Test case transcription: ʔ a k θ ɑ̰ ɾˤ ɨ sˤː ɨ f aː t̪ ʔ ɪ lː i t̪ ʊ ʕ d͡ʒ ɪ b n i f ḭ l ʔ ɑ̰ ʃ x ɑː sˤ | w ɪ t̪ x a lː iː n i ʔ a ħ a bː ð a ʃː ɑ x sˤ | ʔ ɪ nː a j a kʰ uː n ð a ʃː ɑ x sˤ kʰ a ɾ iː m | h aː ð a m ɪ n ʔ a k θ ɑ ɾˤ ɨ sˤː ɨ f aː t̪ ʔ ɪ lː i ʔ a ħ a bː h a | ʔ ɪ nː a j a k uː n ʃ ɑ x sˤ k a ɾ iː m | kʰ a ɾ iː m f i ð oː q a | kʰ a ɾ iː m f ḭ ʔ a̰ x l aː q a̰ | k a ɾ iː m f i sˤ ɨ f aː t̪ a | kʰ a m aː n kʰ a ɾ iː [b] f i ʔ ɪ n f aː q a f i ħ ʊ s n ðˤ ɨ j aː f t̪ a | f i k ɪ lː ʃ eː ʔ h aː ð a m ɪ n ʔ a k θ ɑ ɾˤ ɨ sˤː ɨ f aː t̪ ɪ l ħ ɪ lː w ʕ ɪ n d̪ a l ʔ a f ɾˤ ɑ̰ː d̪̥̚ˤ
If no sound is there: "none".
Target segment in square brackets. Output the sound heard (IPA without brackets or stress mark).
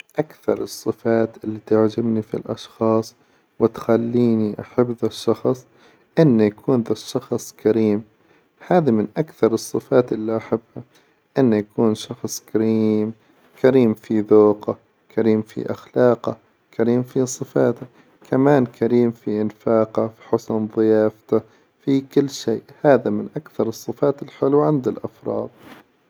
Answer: m